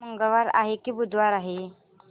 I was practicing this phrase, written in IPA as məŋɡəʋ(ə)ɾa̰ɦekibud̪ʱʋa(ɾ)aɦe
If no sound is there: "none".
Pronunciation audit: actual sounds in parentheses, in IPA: a, ɾ

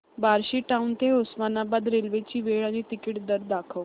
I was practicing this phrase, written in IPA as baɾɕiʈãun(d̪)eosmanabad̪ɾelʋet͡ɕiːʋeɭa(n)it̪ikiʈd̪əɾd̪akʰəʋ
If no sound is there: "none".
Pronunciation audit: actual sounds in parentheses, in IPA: t̪, n

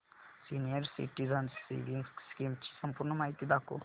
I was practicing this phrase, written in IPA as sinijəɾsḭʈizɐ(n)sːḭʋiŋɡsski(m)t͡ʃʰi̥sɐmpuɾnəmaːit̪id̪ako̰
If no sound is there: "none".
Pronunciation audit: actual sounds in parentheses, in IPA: n, m

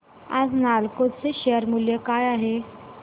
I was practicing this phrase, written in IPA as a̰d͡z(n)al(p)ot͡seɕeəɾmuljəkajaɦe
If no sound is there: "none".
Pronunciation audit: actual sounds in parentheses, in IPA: n, k

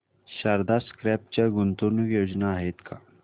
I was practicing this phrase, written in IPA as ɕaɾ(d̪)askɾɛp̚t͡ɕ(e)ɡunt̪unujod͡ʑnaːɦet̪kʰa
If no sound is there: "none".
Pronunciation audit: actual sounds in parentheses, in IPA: d̪, a

